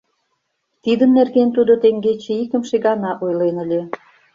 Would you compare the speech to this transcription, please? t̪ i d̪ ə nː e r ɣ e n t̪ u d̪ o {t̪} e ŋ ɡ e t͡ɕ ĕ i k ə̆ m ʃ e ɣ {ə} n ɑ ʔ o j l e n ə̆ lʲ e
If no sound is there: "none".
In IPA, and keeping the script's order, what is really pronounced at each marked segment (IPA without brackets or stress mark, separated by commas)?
t̪, ɑ